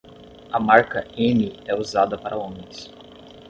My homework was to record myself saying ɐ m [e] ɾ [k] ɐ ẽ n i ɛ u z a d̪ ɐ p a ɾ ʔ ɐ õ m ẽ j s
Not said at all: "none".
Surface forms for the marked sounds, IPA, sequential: a, k

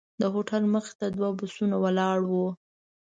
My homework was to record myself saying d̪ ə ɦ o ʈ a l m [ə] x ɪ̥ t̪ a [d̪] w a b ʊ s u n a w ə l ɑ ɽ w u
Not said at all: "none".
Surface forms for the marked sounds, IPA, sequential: ə, d̪

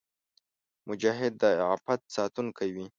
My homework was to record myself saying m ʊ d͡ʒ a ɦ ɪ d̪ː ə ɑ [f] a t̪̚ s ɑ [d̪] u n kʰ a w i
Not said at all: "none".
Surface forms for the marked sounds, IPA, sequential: f, t̪

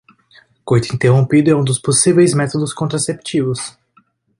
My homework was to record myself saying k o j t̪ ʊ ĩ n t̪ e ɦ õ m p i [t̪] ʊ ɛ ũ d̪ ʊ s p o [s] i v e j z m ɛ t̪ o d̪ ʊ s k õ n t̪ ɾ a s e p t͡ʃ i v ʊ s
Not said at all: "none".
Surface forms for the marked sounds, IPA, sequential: d̪, s

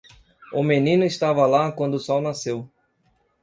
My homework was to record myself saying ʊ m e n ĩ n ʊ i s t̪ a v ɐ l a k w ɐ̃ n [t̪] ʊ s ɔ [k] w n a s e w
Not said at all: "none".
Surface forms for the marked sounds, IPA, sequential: d̪, none

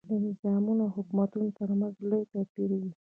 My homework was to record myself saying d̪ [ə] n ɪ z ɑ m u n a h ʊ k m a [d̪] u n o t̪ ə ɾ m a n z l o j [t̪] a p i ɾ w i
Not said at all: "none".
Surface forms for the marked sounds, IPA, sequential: ə, t̪, t̪

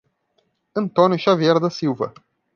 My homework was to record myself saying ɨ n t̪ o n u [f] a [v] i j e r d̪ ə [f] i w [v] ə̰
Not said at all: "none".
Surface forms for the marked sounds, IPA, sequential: ʃ, v, s, v

